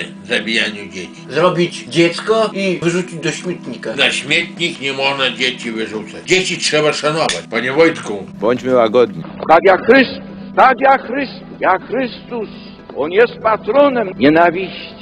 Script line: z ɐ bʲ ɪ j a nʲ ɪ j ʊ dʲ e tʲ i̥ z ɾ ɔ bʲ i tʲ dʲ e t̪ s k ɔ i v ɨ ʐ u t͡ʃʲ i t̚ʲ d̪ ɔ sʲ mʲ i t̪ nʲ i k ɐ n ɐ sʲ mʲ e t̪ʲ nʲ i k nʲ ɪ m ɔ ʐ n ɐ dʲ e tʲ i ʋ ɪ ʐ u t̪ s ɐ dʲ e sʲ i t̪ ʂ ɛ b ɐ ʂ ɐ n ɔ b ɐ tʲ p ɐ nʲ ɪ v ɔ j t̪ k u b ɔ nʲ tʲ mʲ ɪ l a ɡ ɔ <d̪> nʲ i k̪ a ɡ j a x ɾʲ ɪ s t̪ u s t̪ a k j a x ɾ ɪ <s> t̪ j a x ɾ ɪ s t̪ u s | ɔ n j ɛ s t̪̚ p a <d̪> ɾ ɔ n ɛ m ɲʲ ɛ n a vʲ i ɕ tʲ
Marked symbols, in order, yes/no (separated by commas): yes, yes, no